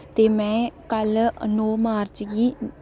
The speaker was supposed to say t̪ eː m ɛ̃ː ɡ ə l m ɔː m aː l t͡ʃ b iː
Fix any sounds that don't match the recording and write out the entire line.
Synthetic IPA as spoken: t̪ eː m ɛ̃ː k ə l n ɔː m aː ɾ t͡ʃ ɡ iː